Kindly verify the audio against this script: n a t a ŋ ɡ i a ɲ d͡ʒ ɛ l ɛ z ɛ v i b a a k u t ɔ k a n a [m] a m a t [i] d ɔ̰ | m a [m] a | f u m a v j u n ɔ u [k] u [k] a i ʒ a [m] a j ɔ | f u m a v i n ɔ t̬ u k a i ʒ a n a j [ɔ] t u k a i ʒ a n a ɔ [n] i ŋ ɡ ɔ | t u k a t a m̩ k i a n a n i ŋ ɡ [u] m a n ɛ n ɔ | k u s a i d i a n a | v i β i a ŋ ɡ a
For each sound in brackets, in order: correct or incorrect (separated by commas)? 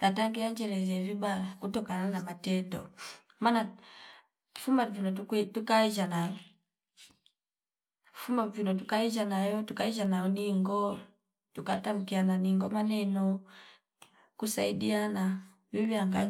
incorrect, incorrect, incorrect, incorrect, correct, incorrect, correct, correct, incorrect